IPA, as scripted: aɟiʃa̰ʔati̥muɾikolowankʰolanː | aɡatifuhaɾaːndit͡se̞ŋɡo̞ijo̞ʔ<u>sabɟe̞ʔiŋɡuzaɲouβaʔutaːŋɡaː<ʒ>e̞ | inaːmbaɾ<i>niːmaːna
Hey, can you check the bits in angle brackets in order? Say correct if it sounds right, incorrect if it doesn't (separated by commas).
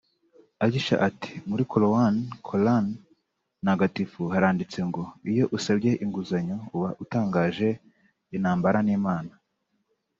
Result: correct, correct, incorrect